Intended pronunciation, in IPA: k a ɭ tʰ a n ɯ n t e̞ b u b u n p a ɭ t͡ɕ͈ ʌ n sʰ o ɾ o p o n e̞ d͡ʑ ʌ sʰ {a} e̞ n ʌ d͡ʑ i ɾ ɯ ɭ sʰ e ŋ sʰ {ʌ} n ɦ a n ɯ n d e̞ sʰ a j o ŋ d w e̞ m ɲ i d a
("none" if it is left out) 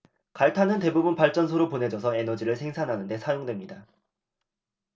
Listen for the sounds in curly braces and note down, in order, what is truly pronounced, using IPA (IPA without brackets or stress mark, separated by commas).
ʌ, a